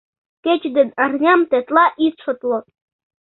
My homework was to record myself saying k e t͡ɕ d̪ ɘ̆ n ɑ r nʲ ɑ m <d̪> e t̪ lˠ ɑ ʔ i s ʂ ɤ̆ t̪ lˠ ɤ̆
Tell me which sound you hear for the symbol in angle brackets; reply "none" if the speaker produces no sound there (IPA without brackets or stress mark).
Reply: t̪